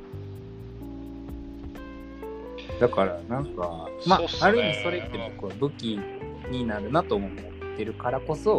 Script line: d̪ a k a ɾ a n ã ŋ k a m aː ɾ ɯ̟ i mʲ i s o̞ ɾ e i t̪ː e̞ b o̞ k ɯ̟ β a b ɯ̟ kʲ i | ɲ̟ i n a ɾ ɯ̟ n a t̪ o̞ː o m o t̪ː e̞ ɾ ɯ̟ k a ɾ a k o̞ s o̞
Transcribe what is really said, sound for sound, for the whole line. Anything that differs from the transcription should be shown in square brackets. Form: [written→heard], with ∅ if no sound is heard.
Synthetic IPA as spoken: d̪ a k a ɾ a n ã ŋ k a m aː ɾ ɯ̟ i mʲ i s o̞ ɾ e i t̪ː e̞ b o̞ k ɯ̟ β a b ɯ̟ kʲ i | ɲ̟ i n a ɾ ɯ̟ n a t̪ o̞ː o m o t̪ː e̞ ɾ ɯ̟ k a ɾ a k o̞ s o̞